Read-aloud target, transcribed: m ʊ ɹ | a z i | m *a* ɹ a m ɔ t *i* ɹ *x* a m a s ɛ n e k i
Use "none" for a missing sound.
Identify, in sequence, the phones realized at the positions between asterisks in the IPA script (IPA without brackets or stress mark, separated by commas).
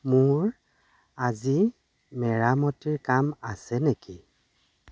ɛ, i, k